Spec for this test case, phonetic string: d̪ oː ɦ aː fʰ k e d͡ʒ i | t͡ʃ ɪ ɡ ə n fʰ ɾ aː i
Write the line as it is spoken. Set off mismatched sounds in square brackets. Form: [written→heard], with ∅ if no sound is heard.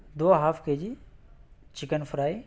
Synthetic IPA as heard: d̪ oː ɦ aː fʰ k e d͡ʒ i | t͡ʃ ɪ [ɡ→k] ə n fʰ ɾ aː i

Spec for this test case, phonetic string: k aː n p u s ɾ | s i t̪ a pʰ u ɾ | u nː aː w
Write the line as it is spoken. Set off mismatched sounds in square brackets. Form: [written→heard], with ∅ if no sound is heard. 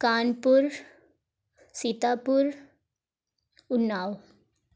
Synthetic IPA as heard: k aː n p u [s→∅] ɾ | s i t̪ a [pʰ→p] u ɾ | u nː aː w

